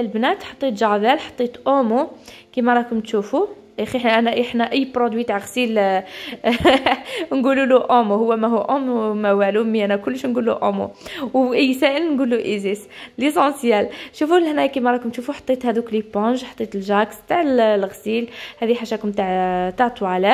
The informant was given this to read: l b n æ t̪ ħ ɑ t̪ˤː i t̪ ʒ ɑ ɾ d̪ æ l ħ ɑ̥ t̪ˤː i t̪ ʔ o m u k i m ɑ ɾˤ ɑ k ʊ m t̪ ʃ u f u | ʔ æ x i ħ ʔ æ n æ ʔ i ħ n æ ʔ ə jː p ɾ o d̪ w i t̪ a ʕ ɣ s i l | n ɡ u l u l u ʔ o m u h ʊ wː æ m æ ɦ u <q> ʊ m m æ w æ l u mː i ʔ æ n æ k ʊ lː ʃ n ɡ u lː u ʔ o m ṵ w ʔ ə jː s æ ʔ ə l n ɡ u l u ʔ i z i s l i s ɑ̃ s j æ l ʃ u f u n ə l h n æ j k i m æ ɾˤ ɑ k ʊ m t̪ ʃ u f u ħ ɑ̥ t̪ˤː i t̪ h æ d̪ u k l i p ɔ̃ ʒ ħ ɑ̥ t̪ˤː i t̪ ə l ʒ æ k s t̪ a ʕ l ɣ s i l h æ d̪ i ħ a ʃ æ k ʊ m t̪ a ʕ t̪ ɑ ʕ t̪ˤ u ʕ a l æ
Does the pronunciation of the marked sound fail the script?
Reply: yes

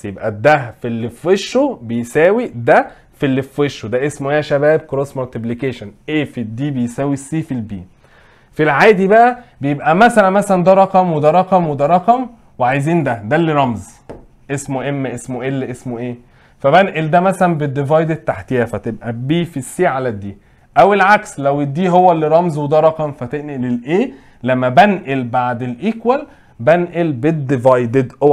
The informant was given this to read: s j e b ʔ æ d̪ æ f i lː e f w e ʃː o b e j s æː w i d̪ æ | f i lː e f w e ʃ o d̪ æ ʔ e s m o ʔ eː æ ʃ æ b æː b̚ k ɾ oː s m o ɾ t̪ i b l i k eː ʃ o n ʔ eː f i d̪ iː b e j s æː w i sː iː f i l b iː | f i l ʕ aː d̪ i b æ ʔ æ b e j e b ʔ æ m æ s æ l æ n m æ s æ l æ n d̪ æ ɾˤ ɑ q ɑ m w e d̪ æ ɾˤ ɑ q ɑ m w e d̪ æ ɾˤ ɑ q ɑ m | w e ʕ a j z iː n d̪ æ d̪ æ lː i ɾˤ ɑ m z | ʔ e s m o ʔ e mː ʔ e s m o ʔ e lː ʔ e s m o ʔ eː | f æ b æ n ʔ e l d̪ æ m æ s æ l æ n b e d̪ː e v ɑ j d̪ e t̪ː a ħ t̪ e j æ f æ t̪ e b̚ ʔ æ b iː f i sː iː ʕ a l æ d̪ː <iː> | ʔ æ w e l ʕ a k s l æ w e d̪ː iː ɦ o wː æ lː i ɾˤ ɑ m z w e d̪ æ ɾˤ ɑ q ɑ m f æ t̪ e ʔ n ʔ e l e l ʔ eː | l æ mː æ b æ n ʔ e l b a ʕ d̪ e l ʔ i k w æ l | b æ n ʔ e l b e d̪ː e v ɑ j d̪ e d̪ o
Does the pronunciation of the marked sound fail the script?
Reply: no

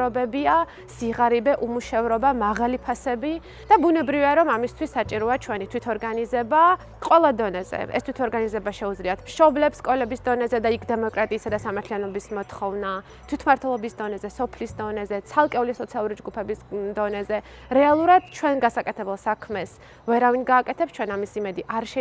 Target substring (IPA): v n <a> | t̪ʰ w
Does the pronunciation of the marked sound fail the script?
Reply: no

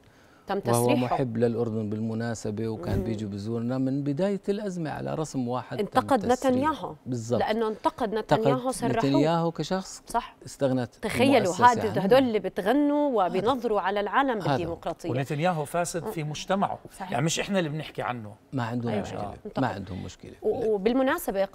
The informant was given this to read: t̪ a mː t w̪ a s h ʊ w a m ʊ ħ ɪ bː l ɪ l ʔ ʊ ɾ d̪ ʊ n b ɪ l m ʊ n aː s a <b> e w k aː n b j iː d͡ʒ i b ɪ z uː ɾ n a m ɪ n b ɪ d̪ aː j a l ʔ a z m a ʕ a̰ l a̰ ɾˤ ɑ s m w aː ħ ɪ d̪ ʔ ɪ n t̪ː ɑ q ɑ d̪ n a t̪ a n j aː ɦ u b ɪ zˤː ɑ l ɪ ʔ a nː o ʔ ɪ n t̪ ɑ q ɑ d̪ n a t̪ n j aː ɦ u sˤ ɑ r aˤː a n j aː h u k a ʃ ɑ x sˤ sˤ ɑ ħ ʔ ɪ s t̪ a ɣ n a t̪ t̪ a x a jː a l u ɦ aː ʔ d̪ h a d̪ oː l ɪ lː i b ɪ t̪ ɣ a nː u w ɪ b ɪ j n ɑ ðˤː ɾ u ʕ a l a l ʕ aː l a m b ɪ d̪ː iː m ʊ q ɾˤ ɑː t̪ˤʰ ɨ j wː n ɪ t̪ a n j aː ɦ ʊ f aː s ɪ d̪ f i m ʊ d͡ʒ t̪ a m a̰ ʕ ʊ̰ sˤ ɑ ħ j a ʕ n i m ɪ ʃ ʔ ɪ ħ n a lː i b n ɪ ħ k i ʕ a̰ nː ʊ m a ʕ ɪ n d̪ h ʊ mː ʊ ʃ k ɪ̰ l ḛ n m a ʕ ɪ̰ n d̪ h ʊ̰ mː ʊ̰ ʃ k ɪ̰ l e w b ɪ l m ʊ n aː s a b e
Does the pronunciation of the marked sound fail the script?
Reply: no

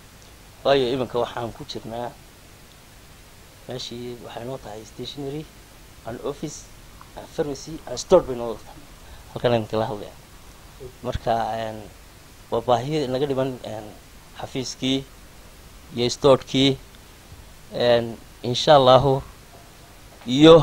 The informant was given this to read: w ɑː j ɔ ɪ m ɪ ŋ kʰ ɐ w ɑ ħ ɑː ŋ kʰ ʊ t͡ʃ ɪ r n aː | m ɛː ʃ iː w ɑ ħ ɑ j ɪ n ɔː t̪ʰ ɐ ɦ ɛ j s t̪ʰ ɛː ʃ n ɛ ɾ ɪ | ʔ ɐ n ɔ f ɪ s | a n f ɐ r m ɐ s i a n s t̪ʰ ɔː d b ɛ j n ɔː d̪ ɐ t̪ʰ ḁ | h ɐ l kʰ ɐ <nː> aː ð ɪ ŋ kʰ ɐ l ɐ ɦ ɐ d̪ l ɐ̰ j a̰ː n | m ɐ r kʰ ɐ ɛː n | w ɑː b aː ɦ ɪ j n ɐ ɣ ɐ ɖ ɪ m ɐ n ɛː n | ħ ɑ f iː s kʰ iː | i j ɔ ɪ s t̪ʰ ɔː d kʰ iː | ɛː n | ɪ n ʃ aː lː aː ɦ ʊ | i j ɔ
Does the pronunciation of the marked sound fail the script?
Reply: yes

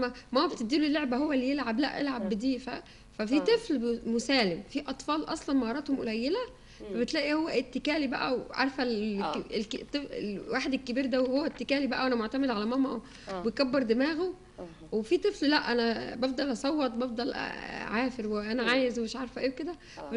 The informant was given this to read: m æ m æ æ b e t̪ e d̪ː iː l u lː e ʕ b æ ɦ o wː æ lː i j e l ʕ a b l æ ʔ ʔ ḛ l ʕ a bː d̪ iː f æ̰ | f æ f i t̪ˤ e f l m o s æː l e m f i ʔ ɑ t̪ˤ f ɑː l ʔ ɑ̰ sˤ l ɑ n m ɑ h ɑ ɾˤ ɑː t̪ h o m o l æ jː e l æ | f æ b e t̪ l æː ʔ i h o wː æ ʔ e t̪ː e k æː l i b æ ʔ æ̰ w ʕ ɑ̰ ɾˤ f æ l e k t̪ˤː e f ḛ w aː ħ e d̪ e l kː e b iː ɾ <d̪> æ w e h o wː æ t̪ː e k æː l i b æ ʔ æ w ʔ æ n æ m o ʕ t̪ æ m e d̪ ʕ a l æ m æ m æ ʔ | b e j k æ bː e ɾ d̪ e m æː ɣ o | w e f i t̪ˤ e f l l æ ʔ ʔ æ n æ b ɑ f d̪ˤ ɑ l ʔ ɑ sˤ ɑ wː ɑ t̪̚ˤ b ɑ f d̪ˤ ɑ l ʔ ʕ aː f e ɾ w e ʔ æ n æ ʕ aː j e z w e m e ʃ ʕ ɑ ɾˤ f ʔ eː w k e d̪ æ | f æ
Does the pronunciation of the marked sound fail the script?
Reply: no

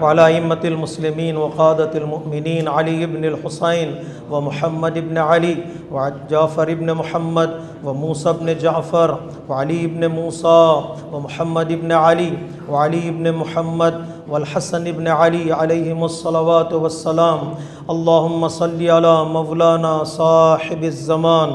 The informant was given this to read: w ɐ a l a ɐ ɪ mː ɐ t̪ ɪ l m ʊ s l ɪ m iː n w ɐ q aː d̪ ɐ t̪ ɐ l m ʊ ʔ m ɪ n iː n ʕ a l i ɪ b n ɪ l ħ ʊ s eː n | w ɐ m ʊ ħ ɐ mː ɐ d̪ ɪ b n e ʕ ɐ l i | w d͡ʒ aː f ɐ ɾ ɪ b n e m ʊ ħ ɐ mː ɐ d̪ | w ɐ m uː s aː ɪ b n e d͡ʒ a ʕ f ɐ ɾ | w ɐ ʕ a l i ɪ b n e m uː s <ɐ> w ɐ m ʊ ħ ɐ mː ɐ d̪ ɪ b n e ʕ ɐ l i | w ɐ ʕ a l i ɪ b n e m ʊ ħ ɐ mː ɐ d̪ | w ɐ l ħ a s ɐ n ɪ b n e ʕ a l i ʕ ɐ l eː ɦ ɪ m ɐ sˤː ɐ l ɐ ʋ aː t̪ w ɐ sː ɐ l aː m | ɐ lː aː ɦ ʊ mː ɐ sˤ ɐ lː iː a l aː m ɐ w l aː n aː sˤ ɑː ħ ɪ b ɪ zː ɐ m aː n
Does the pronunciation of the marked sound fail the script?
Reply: yes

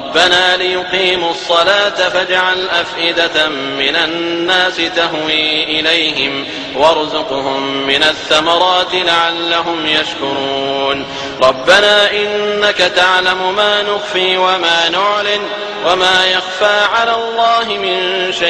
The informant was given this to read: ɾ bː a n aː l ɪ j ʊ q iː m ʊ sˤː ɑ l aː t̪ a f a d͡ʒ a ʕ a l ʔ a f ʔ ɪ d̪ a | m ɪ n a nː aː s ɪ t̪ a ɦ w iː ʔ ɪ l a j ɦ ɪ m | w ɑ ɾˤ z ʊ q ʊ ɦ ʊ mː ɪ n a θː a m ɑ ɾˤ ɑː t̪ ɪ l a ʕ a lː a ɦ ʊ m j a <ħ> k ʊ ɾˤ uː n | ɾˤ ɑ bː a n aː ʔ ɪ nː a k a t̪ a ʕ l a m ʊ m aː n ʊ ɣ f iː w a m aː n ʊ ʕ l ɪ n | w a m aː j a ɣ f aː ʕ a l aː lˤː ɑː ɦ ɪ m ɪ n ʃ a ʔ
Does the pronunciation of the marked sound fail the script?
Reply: yes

